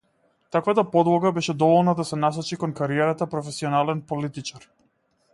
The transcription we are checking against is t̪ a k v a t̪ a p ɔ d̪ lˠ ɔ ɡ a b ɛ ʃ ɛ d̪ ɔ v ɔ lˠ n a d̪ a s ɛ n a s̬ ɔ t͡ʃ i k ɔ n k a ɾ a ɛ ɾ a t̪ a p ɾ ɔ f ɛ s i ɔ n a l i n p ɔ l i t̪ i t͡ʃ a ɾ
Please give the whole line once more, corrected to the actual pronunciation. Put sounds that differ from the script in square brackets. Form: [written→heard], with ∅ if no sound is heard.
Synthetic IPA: t̪ a k v a t̪ a p ɔ d̪ lˠ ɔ ɡ a b ɛ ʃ ɛ d̪ ɔ v ɔ lˠ n a d̪ a s ɛ n a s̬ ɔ t͡ʃ i k ɔ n k a ɾ [a→i] ɛ ɾ a t̪ a p ɾ ɔ f ɛ s i ɔ n a l [i→ɛ] n p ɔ l i t̪ i t͡ʃ a ɾ